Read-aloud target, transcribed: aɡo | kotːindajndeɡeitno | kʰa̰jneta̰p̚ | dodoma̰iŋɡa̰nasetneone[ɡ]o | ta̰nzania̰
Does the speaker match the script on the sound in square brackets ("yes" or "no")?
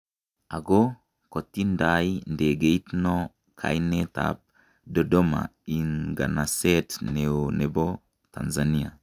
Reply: no